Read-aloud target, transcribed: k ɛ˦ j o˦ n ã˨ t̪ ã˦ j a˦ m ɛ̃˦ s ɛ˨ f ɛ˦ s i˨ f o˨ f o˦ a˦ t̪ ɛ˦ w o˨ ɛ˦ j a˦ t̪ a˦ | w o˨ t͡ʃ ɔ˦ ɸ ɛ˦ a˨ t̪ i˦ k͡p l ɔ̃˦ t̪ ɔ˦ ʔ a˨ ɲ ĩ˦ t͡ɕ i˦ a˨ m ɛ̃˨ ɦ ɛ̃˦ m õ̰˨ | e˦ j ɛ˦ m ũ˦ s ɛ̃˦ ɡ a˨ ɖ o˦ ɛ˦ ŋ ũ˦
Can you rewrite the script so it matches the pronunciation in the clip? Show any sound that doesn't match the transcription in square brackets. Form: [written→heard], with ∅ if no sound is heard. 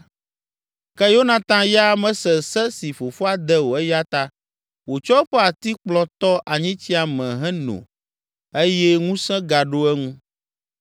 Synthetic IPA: k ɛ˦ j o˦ n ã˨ t̪ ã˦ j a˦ m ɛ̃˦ s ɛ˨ [f→s] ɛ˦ s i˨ f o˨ f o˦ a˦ [t̪→d̪] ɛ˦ w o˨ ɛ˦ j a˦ t̪ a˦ | w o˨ t͡ʃ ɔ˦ ɸ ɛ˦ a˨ t̪ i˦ k͡p l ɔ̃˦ t̪ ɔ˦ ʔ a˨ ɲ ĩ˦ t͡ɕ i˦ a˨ m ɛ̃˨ ɦ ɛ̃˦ [m→n] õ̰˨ | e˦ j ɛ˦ [m→ŋ] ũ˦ s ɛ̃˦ ɡ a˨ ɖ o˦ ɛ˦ ŋ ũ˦